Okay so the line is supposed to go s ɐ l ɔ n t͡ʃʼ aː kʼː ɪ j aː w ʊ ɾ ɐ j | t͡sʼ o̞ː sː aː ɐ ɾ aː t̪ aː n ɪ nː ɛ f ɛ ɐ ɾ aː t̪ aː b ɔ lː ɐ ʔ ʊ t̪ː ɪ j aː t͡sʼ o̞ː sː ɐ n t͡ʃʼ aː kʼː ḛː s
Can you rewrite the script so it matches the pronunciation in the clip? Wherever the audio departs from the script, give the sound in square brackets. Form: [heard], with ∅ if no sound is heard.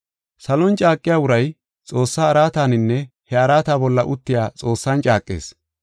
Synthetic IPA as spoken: s ɐ l ɔ n t͡ʃʼ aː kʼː ɪ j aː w ʊ ɾ ɐ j | t͡sʼ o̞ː sː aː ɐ ɾ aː t̪ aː n ɪ nː ɛ [h] ɛ ɐ ɾ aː t̪ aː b ɔ lː ɐ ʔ ʊ t̪ː ɪ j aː t͡sʼ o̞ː sː ɐ n t͡ʃʼ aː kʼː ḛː s